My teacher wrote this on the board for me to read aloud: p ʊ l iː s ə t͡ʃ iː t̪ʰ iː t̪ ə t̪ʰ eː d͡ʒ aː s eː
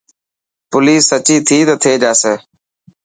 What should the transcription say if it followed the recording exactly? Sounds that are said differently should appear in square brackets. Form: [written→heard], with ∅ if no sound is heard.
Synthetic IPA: p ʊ l iː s ə t͡ʃ iː t̪ʰ iː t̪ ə t̪ʰ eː d͡ʒ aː s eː